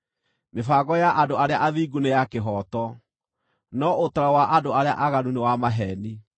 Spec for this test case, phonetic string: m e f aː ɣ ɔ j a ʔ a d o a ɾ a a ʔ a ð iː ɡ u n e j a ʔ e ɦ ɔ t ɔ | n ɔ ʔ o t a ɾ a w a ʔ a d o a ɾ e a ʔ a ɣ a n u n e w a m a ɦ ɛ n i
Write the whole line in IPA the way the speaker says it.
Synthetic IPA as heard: m e f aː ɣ ɔ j a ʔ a d o a ɾ e a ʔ a ð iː ɡ u n e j a k e ɦ ɔ t ɔ | n ɔ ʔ o t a ɾ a w a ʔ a d o a ɾ e a ʔ a ɣ a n u n e w a m a ɦ ɛ n i